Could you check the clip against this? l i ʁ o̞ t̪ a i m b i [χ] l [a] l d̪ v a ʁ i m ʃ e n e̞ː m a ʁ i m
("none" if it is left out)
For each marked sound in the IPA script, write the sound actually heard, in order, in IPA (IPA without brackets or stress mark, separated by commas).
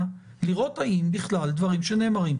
χ, a